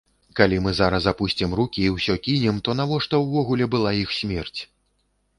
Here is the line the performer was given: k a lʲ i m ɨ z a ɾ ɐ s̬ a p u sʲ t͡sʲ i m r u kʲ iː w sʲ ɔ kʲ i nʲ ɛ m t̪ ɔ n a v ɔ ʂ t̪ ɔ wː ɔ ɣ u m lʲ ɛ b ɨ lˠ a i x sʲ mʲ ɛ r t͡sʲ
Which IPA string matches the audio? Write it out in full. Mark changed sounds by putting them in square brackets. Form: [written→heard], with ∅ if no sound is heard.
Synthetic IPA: k a lʲ i m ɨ z a ɾ ɐ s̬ a p u sʲ t͡sʲ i m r u kʲ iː w sʲ ɔ kʲ i nʲ ɛ m t̪ ɔ n a v ɔ ʂ t̪ ɔ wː ɔ ɣ u [m→∅] lʲ ɛ b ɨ lˠ a i x sʲ mʲ ɛ r t͡sʲ